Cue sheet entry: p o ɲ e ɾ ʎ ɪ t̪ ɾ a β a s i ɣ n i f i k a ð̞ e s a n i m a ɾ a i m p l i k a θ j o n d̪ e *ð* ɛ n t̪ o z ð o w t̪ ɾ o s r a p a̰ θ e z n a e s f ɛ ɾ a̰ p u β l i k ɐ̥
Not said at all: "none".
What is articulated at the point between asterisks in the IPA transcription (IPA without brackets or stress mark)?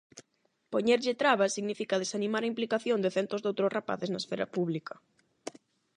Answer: θ